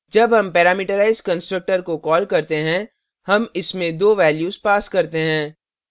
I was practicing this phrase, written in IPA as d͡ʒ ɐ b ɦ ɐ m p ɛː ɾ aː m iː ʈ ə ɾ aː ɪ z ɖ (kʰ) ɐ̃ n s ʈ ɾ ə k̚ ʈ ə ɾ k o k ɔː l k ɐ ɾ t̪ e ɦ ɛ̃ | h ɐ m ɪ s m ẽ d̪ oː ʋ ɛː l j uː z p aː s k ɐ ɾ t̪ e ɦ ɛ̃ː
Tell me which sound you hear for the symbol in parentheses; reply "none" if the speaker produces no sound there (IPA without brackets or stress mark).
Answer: k